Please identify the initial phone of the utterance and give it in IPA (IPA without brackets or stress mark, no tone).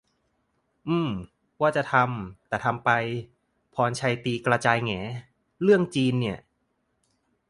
ʔ